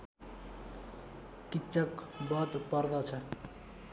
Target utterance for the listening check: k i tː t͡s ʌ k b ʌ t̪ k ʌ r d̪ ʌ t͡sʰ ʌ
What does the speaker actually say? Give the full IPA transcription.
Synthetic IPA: k i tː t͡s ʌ k b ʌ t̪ p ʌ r d̪ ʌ t͡sʰ ʌ